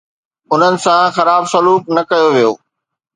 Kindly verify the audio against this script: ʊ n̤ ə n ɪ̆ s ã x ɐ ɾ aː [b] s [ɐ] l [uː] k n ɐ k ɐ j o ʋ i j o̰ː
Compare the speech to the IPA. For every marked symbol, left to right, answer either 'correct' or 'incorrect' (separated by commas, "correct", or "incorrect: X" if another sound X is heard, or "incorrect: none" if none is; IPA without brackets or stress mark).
correct, correct, correct